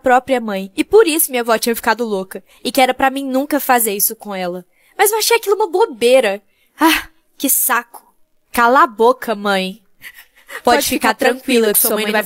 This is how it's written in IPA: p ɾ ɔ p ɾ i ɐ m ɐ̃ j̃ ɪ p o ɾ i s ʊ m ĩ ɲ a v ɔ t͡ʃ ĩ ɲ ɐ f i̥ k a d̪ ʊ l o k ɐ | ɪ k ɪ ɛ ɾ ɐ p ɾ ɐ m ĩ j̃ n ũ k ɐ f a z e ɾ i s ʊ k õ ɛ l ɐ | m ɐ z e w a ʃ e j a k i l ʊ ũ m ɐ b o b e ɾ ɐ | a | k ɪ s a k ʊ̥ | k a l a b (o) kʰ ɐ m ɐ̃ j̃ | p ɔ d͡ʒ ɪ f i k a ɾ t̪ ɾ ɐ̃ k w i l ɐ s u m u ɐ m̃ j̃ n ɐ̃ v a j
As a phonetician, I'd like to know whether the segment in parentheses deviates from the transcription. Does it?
no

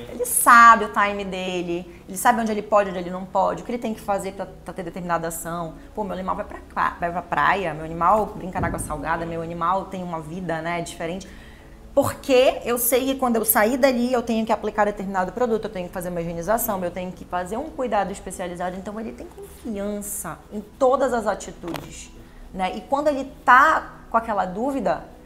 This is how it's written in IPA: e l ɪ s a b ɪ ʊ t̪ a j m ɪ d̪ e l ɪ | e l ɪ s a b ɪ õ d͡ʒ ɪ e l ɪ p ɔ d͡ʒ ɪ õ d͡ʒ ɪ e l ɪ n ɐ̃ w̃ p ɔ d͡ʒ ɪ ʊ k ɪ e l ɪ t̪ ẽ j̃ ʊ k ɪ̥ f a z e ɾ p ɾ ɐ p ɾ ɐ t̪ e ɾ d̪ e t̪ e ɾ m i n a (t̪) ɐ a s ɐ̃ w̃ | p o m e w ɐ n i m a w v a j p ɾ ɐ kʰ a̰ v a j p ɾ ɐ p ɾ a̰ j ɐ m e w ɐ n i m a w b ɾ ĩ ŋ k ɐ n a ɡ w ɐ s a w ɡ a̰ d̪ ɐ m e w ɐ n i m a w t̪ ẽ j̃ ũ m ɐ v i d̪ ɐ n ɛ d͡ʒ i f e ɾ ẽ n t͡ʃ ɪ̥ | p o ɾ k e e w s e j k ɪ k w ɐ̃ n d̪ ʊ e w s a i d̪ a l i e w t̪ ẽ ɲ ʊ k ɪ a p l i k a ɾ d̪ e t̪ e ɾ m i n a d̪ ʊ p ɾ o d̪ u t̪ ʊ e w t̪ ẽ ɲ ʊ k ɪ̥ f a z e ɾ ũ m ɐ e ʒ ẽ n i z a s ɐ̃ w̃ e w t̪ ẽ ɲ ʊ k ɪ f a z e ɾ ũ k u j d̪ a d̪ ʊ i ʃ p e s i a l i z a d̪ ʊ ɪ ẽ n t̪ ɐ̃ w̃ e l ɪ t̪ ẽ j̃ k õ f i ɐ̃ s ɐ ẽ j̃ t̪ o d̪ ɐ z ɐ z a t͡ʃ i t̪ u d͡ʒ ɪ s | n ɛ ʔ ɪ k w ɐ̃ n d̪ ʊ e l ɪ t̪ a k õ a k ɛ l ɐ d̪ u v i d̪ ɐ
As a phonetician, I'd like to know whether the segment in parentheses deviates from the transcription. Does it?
yes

